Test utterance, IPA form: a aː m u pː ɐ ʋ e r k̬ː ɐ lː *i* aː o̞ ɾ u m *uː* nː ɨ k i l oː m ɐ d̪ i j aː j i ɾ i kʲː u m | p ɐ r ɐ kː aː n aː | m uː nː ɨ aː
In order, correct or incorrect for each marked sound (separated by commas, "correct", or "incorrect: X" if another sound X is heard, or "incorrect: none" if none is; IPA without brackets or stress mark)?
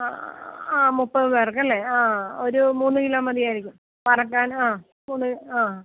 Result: incorrect: e, correct